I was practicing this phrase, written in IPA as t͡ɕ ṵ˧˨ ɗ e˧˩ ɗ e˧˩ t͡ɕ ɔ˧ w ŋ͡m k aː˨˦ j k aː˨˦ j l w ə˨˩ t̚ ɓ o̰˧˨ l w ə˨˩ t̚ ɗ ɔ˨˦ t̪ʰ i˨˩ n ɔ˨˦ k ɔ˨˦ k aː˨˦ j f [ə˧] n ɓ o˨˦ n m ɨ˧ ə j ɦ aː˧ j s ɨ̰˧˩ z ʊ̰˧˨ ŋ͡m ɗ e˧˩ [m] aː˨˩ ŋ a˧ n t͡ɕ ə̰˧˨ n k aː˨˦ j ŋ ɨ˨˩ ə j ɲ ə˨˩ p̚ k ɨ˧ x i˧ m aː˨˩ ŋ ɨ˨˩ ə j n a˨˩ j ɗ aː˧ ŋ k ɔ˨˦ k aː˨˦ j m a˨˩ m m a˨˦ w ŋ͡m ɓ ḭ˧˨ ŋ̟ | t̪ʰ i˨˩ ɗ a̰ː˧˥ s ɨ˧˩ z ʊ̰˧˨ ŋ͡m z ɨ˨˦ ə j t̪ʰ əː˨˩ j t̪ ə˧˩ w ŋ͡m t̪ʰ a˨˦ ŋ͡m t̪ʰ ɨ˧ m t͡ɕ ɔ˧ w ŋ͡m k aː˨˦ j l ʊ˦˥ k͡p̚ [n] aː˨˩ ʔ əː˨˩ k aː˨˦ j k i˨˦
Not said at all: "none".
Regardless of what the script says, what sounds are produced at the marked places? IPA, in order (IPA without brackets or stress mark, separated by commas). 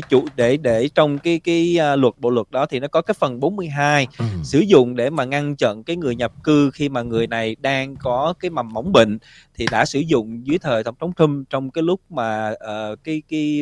ə˨˩, m, m